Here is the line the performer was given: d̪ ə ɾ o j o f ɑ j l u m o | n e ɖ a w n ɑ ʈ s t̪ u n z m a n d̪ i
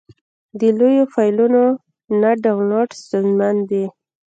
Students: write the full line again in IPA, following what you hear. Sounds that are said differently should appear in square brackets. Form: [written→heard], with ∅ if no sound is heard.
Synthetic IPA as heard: d̪ ə [ɾ→l] o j o f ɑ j l u [m→n] o | n [e→a] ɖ a w n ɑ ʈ s t̪ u n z m a n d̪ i